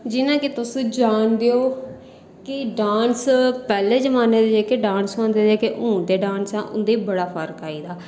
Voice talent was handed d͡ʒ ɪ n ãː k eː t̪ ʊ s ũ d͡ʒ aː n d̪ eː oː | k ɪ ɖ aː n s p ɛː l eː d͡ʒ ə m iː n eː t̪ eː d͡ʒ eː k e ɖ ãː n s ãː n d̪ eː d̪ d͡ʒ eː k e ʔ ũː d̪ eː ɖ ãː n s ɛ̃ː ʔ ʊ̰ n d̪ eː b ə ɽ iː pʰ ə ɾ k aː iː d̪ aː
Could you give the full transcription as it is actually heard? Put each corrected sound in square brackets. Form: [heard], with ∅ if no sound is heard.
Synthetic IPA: d͡ʒ ɪ n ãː k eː t̪ ʊ s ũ d͡ʒ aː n d̪ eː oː | k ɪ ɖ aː n s p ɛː l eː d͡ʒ ə m [aː] n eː [d̪] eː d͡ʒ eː k e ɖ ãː n s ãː n d̪ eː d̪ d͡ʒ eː k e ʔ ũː d̪ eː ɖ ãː n s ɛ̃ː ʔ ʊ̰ n d̪ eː b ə ɽ [aː] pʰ ə ɾ k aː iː d̪ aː